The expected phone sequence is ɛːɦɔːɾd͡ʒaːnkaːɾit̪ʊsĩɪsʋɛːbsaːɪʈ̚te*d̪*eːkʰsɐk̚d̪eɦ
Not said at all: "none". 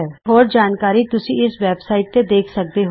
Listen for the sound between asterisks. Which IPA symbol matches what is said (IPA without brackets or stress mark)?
d̪